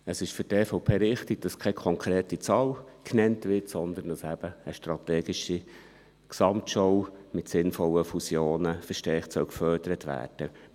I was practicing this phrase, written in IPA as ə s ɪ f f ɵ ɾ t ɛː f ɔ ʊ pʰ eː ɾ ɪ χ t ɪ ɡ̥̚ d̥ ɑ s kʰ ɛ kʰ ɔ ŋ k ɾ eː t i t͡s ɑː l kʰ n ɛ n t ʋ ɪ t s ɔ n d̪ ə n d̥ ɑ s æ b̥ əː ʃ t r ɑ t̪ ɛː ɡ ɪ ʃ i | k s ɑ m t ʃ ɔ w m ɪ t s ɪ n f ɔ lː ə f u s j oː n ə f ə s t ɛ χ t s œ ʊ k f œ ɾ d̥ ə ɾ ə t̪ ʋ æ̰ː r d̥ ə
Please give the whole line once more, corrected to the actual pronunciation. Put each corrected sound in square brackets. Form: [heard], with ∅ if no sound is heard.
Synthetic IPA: ə s ɪ [ʃ] f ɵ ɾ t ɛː f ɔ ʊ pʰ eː ɾ ɪ χ t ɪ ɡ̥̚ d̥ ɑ s kʰ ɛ kʰ ɔ ŋ k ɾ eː t i t͡s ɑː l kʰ n ɛ n t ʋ ɪ t s ɔ n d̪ ə n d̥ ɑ s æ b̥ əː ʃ t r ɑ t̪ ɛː ɡ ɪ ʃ i | k s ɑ m t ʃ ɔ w m ɪ t s ɪ n f ɔ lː ə f u s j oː n ə f ə [ʃ] t ɛ χ t s œ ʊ k f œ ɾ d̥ ə ɾ ə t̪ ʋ æ̰ː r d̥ ə